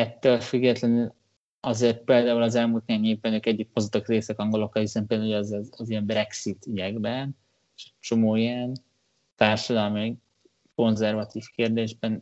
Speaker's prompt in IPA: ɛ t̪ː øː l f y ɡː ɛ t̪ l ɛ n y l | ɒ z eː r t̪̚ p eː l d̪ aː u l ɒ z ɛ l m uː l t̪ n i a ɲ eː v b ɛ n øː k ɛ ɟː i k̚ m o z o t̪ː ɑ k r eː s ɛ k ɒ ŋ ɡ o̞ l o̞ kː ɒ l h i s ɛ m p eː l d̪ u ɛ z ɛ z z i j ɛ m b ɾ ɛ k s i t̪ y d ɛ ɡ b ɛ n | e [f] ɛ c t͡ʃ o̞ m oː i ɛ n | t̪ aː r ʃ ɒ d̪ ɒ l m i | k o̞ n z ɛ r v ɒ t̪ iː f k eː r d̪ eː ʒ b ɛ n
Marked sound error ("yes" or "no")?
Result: yes